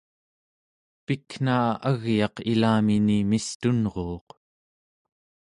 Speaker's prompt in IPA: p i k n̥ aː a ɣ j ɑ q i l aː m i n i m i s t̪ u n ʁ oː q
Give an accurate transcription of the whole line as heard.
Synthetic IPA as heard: p i k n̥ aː a ɣ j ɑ q i l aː m i n i m i s t̪ u n ʁ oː q